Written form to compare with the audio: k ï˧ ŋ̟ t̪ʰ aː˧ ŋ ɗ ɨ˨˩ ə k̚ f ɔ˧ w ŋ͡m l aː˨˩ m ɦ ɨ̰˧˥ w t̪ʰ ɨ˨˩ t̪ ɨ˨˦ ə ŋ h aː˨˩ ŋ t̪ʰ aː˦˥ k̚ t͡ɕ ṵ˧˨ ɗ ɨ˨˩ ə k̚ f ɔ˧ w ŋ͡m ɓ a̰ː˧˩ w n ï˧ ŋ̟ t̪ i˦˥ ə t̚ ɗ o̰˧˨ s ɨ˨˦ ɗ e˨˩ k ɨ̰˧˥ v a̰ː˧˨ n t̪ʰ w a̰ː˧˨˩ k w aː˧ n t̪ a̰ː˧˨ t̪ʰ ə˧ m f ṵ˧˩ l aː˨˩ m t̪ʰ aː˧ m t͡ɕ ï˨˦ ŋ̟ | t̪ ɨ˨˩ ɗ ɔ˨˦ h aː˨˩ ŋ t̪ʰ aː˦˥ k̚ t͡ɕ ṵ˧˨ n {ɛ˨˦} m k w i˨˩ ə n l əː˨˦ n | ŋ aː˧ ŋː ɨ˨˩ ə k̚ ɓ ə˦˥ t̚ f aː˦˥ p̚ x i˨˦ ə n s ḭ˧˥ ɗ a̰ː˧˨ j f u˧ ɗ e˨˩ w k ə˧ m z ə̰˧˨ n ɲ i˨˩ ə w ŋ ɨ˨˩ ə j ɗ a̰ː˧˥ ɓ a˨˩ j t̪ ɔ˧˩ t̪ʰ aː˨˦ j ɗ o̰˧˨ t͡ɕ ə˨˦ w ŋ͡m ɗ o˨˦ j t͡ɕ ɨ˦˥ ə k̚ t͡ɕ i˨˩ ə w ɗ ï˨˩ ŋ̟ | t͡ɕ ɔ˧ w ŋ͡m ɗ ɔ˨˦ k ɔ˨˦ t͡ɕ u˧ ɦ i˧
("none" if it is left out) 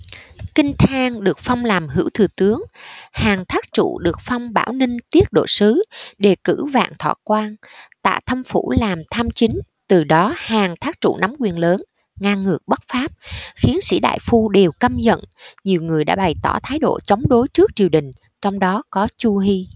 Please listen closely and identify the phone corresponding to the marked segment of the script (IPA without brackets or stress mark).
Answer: a˨˦